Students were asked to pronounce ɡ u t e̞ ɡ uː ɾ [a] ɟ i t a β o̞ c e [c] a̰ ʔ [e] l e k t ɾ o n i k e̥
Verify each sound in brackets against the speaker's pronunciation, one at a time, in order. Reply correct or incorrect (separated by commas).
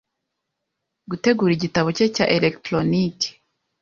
incorrect, correct, correct